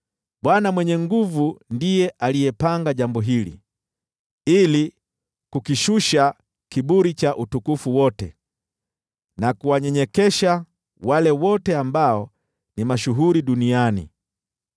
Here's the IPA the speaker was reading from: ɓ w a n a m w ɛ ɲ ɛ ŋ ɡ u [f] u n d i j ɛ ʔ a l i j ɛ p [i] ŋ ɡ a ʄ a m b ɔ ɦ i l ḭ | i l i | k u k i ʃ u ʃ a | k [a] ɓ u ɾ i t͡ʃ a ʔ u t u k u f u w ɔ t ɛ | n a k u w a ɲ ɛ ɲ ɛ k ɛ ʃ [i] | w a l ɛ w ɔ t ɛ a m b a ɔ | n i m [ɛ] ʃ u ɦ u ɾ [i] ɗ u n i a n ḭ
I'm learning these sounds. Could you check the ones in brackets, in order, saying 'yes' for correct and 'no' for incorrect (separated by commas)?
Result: no, no, no, no, no, yes